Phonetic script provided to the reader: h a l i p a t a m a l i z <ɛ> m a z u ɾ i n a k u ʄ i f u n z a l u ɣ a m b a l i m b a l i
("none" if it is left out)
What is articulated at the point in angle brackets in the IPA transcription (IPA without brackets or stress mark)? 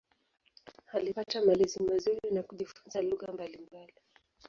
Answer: i